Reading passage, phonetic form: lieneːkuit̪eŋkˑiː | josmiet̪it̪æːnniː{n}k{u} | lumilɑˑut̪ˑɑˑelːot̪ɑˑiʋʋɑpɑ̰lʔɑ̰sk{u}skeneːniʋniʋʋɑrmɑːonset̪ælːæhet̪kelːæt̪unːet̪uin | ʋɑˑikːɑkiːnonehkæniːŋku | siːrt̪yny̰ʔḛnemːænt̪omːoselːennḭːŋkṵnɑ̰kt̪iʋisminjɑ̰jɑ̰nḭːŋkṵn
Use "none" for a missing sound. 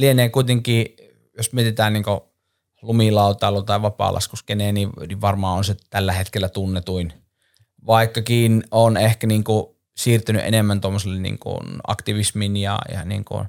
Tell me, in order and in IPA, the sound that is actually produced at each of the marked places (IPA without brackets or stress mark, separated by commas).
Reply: ŋ, o, u